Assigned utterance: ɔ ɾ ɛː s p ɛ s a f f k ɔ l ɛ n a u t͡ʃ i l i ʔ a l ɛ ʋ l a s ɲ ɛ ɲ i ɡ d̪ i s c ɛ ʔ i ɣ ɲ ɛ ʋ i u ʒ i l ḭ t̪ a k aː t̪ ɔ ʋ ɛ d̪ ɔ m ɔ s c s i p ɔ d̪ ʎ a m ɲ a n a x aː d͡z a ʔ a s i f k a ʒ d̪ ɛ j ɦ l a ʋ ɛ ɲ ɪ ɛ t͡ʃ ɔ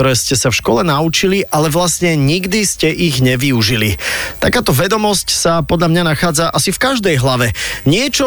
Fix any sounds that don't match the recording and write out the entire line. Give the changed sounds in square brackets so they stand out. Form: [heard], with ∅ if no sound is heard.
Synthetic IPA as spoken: ɔ ɾ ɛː s [c] ɛ s a f [ʃ] k ɔ l ɛ n a u t͡ʃ i l i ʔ a l ɛ ʋ l a s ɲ ɛ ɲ i ɡ d̪ i s c ɛ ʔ i ɣ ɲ ɛ ʋ i u ʒ i l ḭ t̪ a k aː t̪ ɔ ʋ ɛ d̪ ɔ m ɔ s c s [a] p ɔ d̪ ʎ a m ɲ a n a x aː d͡z a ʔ a s i f k a ʒ d̪ ɛ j ɦ l a ʋ ɛ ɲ ɪ ɛ t͡ʃ ɔ